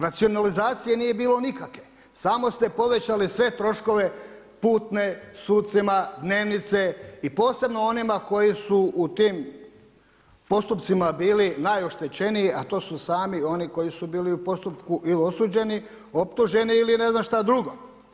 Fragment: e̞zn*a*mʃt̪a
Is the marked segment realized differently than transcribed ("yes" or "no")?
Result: no